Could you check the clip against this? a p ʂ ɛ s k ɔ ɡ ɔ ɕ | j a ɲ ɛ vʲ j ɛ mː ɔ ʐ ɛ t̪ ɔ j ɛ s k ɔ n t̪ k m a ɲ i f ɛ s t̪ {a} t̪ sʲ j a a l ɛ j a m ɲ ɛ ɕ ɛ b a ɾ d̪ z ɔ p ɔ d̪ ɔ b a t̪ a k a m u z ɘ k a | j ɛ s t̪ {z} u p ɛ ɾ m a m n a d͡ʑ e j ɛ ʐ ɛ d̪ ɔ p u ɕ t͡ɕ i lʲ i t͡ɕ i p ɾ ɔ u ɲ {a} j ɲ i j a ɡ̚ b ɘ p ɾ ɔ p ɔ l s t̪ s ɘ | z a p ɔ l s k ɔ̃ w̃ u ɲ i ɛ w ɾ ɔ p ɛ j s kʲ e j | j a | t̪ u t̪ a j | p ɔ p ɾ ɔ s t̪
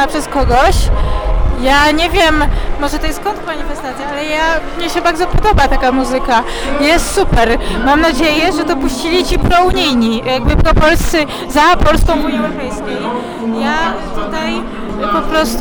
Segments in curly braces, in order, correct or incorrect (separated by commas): correct, incorrect, incorrect